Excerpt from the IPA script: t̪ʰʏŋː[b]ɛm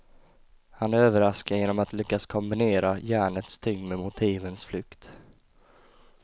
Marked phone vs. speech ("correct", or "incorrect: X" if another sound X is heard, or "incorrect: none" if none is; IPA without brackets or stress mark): incorrect: m